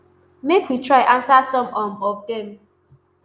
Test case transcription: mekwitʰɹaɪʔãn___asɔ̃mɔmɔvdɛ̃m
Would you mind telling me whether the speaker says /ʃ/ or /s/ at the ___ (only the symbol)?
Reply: s